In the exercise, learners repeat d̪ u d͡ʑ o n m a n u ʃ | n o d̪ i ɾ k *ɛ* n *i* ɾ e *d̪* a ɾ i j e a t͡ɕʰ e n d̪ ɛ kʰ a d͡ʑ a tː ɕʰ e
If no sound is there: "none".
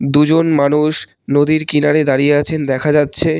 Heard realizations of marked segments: i, a, d̪

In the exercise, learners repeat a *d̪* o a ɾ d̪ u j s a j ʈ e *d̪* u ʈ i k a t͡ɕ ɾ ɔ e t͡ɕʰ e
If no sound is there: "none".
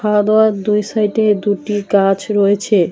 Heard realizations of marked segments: d̪, d̪

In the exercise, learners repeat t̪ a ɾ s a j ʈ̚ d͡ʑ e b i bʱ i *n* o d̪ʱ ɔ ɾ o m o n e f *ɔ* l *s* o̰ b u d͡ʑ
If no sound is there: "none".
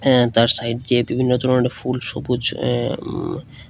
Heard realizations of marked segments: nː, u, ʃ

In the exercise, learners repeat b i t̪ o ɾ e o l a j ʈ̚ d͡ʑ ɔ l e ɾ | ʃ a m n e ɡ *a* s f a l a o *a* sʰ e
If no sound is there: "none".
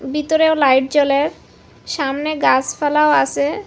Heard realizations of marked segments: a, a

